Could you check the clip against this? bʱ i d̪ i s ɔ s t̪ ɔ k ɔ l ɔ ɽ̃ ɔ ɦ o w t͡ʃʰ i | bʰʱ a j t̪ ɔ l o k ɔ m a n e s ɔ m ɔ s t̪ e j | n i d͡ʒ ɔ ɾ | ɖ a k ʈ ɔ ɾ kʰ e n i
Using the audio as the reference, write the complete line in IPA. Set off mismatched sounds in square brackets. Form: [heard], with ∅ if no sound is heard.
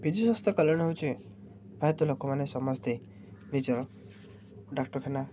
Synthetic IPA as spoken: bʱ i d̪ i s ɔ s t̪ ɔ k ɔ l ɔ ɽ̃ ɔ ɦ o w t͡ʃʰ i | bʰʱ a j t̪ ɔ l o k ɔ m a n e s ɔ m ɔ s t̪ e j | n i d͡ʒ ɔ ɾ | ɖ a k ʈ ɔ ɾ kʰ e n [a]